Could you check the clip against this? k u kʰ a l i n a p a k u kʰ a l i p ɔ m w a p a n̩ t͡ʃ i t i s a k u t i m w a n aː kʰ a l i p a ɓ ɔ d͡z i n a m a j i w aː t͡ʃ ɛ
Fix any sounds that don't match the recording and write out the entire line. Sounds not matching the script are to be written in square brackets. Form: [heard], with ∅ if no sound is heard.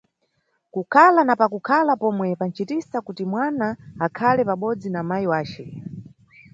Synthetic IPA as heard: k u kʰ a l [a] n a p a k u kʰ a l [a] p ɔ m w [ɛ] p a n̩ t͡ʃ i t i s a k u t i m w a n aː kʰ a l [ɛ] p a ɓ ɔ d͡z i n a m a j i w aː t͡ʃ ɛ